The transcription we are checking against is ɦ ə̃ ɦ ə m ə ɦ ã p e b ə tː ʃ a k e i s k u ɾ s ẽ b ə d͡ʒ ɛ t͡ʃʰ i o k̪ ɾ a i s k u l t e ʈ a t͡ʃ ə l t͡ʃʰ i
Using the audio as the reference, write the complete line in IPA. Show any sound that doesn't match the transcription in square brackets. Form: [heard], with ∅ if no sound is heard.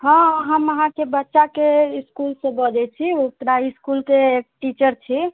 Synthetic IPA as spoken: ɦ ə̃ ɦ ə m ə ɦ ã [k] e b ə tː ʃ a k e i s k u [l] s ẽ b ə d͡ʒ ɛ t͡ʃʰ i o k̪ ɾ a i s k u l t e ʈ [i] t͡ʃ ə [ɾ] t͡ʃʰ i